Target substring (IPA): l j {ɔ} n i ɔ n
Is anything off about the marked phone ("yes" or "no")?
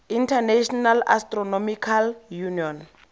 yes